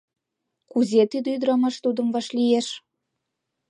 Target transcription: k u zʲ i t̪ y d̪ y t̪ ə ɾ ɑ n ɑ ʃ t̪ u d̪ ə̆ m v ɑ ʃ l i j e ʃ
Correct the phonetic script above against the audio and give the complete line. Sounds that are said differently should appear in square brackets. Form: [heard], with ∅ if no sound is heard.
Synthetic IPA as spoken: k u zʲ [e] t̪ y d̪ y [d̪] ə ɾ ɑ [m] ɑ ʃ t̪ u d̪ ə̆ m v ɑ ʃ l i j e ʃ